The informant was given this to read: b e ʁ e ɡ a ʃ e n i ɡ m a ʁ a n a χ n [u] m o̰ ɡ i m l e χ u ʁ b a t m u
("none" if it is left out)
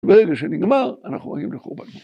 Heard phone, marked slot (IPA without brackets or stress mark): u